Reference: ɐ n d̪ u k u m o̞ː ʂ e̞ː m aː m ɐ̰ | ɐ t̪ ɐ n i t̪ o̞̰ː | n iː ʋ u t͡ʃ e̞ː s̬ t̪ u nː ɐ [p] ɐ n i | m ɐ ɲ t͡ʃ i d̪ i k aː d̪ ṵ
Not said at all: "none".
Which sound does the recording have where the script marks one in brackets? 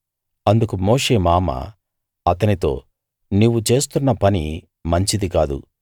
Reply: p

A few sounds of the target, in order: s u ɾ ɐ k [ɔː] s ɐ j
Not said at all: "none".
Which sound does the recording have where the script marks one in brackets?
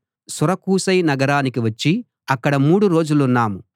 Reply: uː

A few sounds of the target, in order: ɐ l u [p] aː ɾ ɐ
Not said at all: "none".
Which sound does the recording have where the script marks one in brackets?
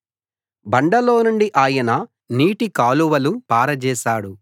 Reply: p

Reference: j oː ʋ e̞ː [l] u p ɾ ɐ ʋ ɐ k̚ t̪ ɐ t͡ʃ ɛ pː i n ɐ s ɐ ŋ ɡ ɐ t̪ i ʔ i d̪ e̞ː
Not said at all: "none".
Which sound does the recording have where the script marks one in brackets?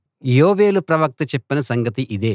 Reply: l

